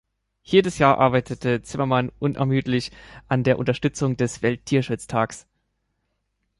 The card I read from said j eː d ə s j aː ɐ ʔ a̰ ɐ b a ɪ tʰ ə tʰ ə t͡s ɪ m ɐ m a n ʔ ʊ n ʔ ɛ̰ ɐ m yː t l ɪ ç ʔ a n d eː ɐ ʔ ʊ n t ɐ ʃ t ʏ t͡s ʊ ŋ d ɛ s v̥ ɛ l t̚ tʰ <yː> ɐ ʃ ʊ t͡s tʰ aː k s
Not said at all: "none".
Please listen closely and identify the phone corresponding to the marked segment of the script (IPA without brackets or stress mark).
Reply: iː